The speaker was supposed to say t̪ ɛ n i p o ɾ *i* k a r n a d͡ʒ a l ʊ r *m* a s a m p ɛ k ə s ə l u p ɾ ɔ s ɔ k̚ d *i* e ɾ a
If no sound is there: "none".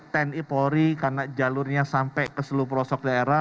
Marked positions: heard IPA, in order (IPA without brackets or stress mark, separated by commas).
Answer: i, ɲ, a